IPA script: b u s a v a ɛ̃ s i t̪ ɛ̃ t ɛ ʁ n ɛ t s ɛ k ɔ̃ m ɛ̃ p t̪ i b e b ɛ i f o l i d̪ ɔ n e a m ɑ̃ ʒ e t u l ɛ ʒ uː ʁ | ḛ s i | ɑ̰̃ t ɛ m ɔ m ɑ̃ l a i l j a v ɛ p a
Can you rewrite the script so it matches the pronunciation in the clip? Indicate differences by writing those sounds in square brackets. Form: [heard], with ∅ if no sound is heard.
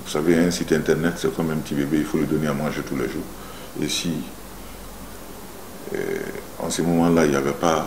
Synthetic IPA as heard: [v] u s a v [e] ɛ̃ s i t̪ ɛ̃ t ɛ ʁ n ɛ t s ɛ k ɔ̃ m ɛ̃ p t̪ i b e b [e] i f o l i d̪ ɔ n e a m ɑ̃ ʒ e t u l ɛ ʒ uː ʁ | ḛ s i | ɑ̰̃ [s] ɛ m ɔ m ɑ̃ l a i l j a v ɛ p a

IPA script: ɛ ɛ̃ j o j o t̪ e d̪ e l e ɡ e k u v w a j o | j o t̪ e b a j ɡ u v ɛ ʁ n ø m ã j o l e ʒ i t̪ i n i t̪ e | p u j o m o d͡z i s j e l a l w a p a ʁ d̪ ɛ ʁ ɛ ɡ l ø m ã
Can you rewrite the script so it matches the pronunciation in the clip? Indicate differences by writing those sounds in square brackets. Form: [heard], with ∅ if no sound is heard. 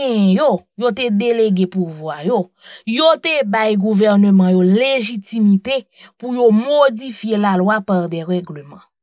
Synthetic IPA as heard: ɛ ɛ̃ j o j o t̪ e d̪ e l e ɡ e [p] u v w a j o | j o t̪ e b a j ɡ u v ɛ ʁ n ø m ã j o l e ʒ i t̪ i [m] i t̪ e | p u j o m o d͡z i [f] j e l a l w a p a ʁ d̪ ɛ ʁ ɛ ɡ l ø m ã

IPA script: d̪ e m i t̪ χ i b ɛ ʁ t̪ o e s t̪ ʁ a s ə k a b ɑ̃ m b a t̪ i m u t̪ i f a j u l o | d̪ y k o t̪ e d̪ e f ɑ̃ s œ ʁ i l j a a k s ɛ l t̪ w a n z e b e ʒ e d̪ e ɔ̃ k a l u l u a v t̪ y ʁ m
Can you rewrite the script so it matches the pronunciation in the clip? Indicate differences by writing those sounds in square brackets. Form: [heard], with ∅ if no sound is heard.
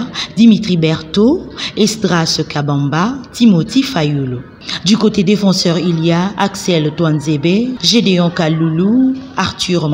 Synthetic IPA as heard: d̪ [i] m i t̪ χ i b ɛ ʁ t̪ o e s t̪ ʁ a s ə k a b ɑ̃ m b a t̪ i m [o] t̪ i f a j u l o | d̪ y k o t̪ e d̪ e f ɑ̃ s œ ʁ i l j a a k s ɛ l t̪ w a n z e b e ʒ e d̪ e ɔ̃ k a l u l u a [ʁ] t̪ y ʁ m

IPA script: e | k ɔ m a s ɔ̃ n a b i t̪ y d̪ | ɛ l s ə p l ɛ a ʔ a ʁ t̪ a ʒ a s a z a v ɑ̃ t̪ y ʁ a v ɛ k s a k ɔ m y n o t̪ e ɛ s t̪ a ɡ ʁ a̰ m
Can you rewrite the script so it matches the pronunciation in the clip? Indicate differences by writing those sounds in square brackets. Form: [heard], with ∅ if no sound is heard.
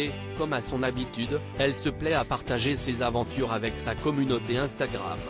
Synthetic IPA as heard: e | k ɔ m a s ɔ̃ n a b i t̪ y d̪ | ɛ l s ə p l ɛ a [p] a ʁ t̪ a ʒ [e] s [e] z a v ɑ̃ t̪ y ʁ a v ɛ k s a k ɔ m y n o t̪ e [ɛ̃] s t̪ a ɡ ʁ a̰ m

